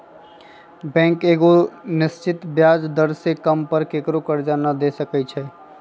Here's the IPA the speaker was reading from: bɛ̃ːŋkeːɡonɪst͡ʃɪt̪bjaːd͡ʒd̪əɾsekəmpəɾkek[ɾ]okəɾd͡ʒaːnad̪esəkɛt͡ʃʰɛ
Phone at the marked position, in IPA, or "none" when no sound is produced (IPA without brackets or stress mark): ɾ